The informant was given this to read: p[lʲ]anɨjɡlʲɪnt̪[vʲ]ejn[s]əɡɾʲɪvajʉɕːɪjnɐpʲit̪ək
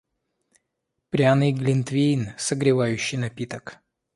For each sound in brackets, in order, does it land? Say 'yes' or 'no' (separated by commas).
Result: no, yes, yes